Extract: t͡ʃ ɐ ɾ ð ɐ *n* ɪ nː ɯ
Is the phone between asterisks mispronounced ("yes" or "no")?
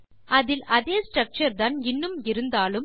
no